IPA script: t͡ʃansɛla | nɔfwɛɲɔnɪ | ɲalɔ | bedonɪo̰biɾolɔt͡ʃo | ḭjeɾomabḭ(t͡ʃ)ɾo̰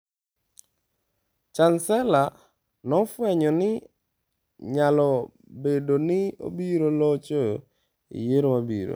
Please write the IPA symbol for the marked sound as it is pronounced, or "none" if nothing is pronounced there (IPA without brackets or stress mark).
none